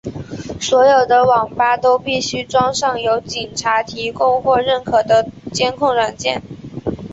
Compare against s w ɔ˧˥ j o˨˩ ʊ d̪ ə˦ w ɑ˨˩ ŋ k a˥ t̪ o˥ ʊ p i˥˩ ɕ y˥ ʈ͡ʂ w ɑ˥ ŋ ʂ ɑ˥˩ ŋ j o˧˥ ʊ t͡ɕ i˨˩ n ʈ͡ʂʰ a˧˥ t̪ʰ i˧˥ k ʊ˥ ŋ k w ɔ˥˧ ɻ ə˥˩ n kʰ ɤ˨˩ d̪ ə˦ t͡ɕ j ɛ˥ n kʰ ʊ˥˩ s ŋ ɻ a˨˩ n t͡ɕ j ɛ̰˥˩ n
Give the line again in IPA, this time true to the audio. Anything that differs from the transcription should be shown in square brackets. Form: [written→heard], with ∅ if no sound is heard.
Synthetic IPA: s w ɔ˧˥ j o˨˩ ʊ d̪ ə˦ w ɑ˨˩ ŋ [k→p] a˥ t̪ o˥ ʊ p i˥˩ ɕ y˥ ʈ͡ʂ w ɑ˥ ŋ ʂ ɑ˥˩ ŋ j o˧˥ ʊ t͡ɕ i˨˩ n ʈ͡ʂʰ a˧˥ t̪ʰ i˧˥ k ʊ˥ ŋ [k→x] w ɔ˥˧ ɻ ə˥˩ n kʰ ɤ˨˩ d̪ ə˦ t͡ɕ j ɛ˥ n kʰ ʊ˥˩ [s→∅] ŋ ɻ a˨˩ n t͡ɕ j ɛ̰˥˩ n